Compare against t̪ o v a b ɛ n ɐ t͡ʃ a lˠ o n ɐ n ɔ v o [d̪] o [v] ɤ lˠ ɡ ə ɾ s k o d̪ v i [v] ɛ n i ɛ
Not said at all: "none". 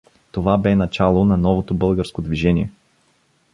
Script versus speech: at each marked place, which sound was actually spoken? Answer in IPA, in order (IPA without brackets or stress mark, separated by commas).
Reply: t̪, b, ʒ